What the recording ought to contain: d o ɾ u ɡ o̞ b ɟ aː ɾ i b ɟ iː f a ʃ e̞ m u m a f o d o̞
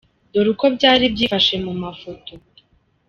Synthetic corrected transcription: d o ɾ u k o̞ b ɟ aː ɾ i b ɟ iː f a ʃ e̞ m u m a f o t o̞